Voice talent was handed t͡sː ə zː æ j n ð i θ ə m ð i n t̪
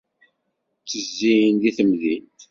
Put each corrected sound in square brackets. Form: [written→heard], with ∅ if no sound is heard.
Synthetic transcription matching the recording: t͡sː ə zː [æ→i] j n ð i θ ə m ð i n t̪